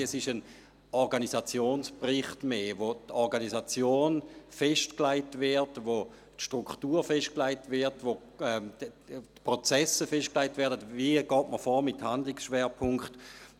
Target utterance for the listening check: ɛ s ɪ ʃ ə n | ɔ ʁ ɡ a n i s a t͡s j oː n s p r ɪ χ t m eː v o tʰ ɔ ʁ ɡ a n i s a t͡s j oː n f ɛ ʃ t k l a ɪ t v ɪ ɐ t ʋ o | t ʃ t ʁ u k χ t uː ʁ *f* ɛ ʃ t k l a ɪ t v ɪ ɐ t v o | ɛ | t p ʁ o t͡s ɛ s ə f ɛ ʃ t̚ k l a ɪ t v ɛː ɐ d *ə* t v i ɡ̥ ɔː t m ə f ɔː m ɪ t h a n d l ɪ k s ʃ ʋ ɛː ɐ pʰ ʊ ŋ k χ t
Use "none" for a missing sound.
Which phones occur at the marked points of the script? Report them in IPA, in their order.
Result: f, ə

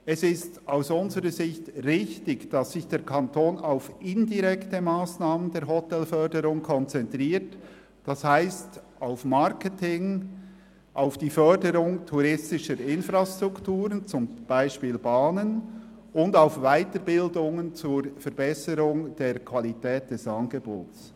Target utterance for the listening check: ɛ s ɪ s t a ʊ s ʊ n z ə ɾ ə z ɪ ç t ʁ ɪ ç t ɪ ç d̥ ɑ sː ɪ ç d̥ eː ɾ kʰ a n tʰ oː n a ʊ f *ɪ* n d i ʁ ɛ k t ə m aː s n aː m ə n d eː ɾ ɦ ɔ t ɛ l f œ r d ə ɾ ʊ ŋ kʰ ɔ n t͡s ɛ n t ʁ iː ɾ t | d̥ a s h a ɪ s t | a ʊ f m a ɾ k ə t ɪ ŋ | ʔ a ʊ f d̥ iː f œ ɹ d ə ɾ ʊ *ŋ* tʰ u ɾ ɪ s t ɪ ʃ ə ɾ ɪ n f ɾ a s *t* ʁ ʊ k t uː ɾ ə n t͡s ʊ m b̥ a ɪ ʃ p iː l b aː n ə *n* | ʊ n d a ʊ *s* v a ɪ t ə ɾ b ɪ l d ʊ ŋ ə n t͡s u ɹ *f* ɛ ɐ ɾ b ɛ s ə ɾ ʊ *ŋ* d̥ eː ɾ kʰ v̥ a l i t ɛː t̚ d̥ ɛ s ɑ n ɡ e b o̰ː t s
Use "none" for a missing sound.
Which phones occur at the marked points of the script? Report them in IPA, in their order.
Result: ɪ, ŋ, t, n, f, f, ŋ

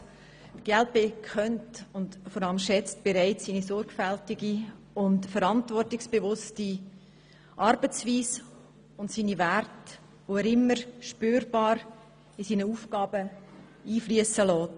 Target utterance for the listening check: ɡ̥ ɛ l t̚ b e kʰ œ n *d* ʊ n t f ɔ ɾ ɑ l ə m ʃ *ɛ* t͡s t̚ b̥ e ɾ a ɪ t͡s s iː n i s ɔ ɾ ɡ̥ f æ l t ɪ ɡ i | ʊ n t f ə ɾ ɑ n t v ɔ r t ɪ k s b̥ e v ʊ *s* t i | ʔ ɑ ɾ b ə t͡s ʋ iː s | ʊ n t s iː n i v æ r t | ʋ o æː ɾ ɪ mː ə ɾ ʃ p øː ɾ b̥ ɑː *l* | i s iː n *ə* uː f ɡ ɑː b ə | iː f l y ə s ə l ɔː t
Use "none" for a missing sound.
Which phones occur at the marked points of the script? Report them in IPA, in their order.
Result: t, ɛ, s, ɾ, ə

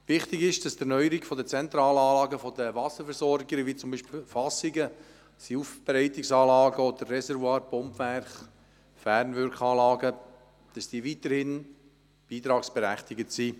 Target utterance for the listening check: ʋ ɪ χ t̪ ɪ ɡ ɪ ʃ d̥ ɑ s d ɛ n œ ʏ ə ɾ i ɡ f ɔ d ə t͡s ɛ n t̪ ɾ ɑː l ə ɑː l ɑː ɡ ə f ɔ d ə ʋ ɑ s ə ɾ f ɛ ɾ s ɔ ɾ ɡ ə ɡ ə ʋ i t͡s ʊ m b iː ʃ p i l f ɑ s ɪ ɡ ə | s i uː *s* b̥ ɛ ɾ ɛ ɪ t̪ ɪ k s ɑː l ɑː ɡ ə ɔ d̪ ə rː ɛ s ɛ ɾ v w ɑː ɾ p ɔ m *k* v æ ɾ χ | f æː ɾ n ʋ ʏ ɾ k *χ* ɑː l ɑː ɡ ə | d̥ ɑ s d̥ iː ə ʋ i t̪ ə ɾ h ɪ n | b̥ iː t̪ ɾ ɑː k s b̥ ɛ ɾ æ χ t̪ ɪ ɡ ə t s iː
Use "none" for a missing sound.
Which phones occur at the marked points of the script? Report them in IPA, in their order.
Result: f, p, χ

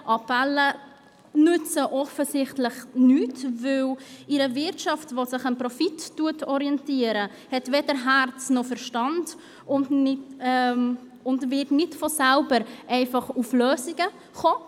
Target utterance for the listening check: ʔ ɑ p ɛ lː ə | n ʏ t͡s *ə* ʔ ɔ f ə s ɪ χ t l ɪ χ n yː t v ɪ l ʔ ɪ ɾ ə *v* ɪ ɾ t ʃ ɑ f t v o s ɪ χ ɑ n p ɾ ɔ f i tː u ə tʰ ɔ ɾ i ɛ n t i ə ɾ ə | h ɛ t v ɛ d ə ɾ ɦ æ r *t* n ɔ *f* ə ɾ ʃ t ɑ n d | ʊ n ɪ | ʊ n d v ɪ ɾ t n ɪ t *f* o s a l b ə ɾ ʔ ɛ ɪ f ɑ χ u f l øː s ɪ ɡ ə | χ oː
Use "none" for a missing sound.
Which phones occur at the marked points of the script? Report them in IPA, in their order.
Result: ə, v, t͡s, f, f

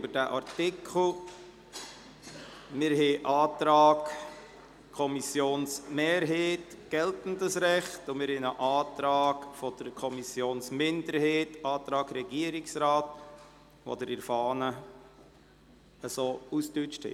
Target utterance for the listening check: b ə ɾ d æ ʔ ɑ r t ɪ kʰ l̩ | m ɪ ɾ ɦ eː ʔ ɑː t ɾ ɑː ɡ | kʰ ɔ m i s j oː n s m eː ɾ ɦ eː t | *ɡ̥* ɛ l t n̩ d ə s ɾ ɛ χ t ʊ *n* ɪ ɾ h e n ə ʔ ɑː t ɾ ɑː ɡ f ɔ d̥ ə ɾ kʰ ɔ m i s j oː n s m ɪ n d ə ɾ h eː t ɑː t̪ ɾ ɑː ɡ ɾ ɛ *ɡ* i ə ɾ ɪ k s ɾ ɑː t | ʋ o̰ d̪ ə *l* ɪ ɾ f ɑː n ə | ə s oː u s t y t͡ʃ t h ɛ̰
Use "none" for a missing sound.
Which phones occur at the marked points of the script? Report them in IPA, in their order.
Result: ɡ̥, m, ɡ, ɾ

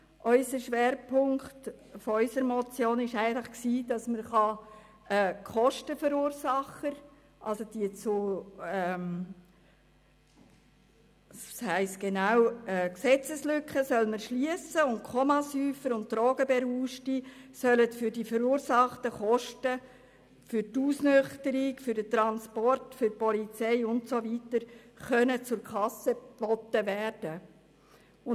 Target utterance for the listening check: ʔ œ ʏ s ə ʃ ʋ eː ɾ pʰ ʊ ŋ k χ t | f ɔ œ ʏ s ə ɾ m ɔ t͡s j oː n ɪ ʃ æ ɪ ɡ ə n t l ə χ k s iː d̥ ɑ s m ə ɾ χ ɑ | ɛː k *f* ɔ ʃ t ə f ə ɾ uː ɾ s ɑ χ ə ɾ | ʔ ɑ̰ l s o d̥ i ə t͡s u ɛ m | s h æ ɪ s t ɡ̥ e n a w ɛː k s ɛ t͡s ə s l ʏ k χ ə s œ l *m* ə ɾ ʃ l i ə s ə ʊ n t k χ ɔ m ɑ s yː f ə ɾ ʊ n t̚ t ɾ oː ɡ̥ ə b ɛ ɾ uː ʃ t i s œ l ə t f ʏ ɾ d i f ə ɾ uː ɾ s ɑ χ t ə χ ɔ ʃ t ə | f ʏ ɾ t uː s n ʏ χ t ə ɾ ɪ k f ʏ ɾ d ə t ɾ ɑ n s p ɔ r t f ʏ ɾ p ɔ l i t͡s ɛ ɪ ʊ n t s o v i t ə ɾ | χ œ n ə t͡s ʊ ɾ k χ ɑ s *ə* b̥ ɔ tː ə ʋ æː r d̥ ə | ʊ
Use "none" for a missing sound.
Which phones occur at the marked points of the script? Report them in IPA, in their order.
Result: χ, m, ə

